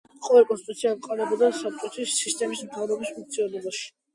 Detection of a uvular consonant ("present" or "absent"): present